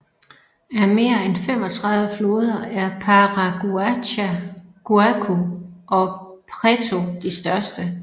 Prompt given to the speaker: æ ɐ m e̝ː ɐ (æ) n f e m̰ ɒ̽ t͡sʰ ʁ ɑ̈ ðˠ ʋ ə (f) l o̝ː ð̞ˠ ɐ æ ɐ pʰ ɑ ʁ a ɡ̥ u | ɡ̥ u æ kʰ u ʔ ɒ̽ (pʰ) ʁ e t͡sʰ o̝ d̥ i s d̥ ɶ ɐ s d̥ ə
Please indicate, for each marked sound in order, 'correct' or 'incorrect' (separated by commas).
incorrect, correct, correct